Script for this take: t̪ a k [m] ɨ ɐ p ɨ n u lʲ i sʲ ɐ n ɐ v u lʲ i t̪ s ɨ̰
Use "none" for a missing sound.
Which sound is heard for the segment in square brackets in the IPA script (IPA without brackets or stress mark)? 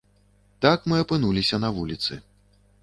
m